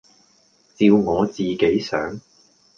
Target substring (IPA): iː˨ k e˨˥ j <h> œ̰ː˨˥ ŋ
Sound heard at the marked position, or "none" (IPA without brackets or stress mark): s